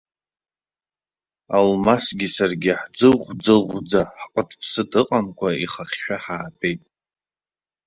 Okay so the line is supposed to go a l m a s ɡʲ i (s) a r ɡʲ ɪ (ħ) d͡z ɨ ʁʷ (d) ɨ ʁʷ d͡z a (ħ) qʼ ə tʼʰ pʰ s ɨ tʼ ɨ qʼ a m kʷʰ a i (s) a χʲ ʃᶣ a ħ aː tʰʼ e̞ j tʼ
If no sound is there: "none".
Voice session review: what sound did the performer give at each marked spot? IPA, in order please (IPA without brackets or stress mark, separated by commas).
s, ħ, d͡z, ħ, χ